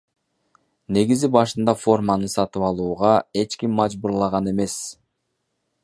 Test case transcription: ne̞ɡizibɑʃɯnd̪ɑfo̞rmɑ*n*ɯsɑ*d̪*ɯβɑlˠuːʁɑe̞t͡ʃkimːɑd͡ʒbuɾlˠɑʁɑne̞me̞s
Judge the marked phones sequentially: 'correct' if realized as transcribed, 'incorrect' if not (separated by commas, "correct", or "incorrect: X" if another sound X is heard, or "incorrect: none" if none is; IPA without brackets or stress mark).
correct, incorrect: t̪